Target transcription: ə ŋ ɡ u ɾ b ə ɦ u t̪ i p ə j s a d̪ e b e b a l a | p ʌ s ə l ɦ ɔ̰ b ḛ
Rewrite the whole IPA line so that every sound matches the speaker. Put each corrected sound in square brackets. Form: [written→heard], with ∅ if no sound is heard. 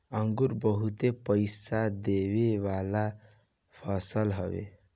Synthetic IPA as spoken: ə ŋ ɡ u ɾ b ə ɦ u t̪ [i→e] p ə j s a d̪ e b e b a l a | [p→pʰ] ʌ s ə l ɦ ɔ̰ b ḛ